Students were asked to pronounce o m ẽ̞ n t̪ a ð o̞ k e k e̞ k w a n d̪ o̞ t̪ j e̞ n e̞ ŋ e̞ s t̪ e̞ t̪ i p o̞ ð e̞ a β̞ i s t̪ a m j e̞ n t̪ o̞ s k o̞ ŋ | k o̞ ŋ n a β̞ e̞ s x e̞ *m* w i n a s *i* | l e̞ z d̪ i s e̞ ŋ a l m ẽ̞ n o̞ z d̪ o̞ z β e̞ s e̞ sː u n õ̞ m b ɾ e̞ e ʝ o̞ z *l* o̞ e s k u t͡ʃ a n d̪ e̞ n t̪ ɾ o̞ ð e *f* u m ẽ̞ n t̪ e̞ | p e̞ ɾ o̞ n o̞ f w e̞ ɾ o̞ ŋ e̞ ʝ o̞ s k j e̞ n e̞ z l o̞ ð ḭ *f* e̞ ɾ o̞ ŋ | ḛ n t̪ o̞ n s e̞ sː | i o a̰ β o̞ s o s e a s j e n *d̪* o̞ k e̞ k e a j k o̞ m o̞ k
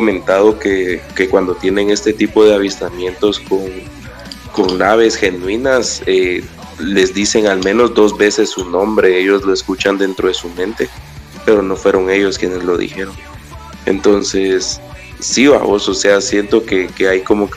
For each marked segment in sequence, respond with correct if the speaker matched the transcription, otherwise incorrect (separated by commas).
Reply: incorrect, incorrect, correct, incorrect, incorrect, incorrect